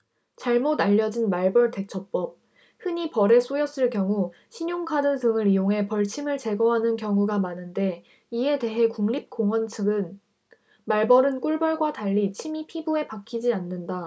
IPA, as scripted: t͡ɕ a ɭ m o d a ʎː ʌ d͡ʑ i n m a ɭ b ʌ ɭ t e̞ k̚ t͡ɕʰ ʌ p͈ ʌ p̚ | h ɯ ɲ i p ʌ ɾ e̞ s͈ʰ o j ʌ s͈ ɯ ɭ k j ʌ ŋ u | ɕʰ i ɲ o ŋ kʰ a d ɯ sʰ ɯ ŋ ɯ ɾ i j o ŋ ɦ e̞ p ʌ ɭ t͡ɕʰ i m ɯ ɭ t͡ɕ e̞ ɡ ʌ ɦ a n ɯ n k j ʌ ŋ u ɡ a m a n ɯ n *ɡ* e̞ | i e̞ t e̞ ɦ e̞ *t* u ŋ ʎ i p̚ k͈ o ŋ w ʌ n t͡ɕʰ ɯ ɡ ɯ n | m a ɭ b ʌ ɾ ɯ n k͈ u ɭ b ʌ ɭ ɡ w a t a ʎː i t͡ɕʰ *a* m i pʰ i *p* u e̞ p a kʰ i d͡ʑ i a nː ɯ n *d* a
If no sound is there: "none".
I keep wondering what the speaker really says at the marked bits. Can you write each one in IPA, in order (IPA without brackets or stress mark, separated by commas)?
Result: d, k, i, b, d